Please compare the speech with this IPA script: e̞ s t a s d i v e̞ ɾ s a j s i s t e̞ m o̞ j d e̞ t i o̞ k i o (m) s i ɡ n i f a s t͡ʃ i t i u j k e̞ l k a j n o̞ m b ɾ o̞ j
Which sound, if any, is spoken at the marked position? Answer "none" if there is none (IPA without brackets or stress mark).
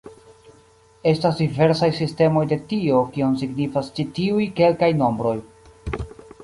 n